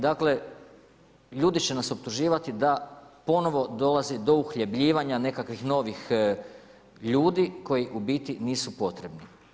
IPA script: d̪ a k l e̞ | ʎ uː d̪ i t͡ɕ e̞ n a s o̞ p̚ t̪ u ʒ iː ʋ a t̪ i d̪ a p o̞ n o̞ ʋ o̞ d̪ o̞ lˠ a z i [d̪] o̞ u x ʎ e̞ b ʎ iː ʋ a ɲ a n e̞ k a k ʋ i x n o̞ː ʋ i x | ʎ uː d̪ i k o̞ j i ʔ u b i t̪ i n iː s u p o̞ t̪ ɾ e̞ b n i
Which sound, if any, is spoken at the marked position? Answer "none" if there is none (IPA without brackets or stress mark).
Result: d̪